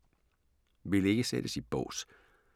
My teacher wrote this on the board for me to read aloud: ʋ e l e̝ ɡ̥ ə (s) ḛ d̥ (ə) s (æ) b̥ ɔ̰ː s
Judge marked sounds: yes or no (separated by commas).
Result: yes, yes, no